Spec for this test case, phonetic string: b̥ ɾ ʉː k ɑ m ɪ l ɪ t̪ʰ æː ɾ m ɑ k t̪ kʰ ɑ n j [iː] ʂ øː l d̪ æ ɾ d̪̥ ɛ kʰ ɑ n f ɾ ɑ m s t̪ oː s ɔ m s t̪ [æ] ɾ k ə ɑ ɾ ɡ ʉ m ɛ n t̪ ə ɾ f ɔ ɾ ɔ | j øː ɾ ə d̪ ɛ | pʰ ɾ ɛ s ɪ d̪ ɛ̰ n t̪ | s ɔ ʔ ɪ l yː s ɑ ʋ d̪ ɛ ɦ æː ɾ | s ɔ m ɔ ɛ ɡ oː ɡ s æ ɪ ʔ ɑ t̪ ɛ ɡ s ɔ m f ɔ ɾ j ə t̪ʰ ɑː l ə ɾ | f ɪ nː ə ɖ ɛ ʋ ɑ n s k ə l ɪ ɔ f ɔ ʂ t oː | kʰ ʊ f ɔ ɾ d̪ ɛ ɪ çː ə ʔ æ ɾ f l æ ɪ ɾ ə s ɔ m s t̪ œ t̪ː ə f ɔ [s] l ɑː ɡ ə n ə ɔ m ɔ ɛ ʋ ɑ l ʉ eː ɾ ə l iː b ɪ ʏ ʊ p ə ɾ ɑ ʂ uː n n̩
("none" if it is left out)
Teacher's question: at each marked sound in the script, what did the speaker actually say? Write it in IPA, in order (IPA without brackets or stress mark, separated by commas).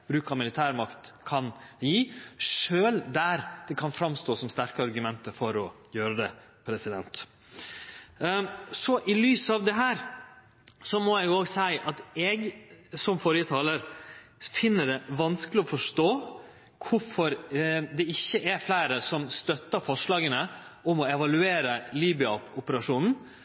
iː, æ, ʂ